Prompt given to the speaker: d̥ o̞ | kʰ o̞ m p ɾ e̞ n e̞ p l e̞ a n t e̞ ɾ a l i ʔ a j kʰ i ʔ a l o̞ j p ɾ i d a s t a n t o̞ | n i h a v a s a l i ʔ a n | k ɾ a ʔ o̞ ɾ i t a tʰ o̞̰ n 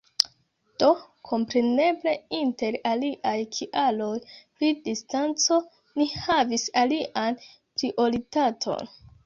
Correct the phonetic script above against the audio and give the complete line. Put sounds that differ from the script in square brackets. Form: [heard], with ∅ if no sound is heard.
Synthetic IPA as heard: d̥ o̞ | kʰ o̞ m p ɾ e̞ n e̞ [b] l e̞ [i] n t e̞ ɾ a l i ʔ a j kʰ i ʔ a l o̞ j p ɾ i d [i] s t a n [t͡s] o̞ | n i h a v [i] s a l i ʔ a n | [p] ɾ [i] ʔ o̞ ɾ i t a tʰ o̞̰ n